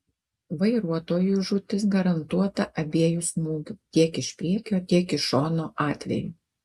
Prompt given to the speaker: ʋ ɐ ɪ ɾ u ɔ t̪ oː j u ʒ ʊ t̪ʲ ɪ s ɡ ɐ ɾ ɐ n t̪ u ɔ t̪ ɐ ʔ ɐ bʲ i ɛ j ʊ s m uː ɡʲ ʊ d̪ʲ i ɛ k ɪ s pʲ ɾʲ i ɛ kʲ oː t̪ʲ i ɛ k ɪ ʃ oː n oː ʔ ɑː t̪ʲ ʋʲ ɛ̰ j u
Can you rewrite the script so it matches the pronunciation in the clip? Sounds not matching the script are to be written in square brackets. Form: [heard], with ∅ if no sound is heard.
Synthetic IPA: ʋ ɐ ɪ ɾ u ɔ t̪ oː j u ʒ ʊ t̪ʲ ɪ s ɡ ɐ ɾ ɐ n t̪ u ɔ t̪ ɐ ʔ ɐ bʲ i ɛ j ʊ s m uː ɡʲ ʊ [t̪ʲ] i ɛ k ɪ [ʃ] pʲ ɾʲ i ɛ kʲ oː t̪ʲ i ɛ k ɪ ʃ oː n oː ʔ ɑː t̪ʲ ʋʲ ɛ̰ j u